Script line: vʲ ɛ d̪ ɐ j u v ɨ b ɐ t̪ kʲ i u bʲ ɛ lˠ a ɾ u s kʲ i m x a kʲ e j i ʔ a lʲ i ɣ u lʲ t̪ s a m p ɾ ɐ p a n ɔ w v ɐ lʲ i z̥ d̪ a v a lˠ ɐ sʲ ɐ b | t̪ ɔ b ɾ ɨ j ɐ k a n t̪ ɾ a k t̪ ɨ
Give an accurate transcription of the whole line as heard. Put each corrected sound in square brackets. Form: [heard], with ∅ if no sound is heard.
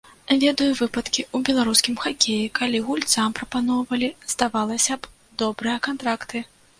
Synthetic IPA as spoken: vʲ ɛ d̪ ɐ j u v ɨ [p] ɐ t̪ kʲ i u bʲ ɛ lˠ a ɾ u s kʲ i m x a kʲ e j i [k] a lʲ i ɣ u lʲ t̪ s a m p ɾ ɐ p a n ɔ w v ɐ lʲ i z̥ d̪ a v a lˠ ɐ sʲ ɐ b | [d̪] ɔ b ɾ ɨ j ɐ k a n t̪ ɾ a k t̪ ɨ